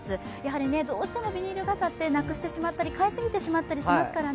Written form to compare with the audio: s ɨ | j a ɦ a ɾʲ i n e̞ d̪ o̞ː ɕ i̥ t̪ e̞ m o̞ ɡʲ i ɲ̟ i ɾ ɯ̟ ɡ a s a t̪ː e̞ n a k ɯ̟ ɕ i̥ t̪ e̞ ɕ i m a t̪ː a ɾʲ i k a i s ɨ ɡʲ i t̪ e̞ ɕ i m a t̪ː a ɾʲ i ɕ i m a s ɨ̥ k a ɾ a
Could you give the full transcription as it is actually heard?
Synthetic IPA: s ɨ | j a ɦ a ɾʲ i n e̞ d̪ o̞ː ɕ i̥ t̪ e̞ m o̞ bʲ i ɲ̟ i ɾ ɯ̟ ɡ a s a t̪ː e̞ n a k ɯ̟ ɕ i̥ t̪ e̞ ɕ i m a t̪ː a ɾʲ i k a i s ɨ ɡʲ i t̪ e̞ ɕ i m a t̪ː a ɾʲ i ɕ i m a s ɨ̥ k a ɾ a